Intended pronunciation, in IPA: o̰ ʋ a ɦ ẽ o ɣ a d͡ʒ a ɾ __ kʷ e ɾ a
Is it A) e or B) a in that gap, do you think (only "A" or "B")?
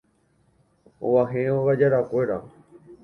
B